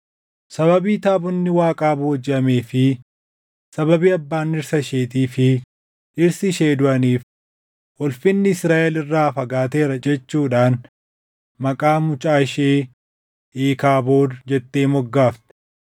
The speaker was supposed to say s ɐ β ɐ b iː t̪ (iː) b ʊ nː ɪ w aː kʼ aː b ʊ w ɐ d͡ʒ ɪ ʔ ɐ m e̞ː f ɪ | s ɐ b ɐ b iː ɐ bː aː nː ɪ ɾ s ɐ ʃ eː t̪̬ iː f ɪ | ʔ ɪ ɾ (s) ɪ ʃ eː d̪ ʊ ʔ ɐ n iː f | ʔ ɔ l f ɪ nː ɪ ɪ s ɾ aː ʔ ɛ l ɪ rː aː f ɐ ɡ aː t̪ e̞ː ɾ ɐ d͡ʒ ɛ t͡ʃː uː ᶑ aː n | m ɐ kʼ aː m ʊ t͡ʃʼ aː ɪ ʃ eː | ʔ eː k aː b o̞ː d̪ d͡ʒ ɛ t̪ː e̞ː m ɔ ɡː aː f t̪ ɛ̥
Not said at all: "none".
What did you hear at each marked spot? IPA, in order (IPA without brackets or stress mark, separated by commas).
aː, s